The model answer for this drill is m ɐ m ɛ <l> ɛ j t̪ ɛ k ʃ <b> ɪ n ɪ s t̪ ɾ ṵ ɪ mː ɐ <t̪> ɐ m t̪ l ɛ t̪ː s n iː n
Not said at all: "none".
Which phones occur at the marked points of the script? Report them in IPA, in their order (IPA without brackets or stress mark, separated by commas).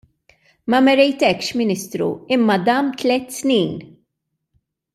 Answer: ɾ, m, d̪